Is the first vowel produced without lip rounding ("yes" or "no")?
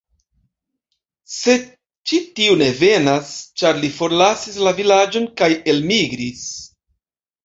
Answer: yes